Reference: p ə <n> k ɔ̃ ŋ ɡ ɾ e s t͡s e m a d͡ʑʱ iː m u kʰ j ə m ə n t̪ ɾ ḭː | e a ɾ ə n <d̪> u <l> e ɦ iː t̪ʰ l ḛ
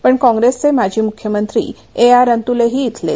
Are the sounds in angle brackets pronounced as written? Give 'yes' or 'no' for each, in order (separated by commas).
no, no, yes